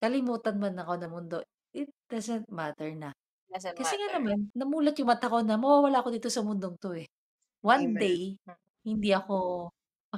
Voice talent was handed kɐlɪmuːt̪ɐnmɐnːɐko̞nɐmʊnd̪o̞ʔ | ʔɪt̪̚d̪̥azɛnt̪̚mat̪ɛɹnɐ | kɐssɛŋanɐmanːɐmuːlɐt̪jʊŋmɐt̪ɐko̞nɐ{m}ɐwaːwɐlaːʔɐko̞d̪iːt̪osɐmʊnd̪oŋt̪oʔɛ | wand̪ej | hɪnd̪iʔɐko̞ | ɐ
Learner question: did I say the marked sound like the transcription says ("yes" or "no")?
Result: yes